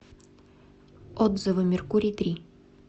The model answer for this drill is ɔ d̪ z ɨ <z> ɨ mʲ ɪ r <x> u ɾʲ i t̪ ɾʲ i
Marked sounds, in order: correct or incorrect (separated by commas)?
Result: incorrect, incorrect